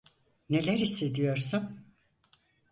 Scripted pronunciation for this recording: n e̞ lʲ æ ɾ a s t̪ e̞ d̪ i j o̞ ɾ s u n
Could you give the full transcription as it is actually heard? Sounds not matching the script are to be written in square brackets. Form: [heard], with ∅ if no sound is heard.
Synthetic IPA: n e̞ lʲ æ ɾ [i] s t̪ e̞ d̪ i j o̞ ɾ s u n